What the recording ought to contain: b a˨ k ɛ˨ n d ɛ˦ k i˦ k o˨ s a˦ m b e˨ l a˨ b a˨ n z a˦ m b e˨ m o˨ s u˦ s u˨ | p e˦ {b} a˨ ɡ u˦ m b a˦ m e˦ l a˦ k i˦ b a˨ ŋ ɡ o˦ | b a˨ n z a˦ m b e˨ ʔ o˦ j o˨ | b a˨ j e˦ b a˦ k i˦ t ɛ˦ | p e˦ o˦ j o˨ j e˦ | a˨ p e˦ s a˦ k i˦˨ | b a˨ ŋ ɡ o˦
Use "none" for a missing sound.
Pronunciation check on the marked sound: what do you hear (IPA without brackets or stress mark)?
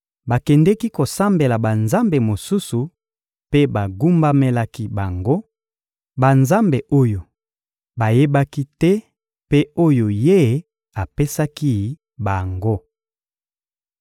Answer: b